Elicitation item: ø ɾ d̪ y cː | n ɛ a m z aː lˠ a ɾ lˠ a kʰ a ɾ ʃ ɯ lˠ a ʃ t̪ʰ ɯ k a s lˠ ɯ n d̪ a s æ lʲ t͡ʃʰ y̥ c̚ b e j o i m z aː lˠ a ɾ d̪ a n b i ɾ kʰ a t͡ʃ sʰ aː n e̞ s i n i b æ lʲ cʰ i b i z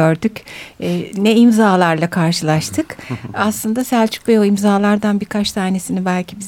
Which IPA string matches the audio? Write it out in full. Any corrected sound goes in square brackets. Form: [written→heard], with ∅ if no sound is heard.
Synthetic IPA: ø ɾ d̪ y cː | n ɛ [a→i] m z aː lˠ a ɾ lˠ a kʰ a ɾ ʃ ɯ lˠ a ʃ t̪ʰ ɯ k a s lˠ ɯ n d̪ a s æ lʲ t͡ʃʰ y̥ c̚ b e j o i m z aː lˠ a ɾ d̪ a n b i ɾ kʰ a t͡ʃ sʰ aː n e̞ s i n i b æ lʲ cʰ i b i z